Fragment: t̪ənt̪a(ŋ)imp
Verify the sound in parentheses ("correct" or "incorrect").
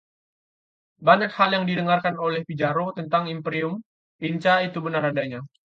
correct